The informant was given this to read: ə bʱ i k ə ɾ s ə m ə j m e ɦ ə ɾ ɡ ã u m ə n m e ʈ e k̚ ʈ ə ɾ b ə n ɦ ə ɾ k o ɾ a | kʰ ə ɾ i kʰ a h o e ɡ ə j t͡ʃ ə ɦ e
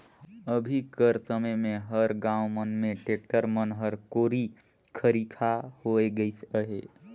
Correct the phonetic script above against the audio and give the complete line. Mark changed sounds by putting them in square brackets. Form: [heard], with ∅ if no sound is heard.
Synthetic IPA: ə bʱ i k ə ɾ s ə m ə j m e ɦ ə ɾ ɡ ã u m ə n m e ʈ e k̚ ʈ ə ɾ [m] ə n ɦ ə ɾ k o ɾ [i] | kʰ ə ɾ i kʰ a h o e ɡ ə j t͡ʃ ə ɦ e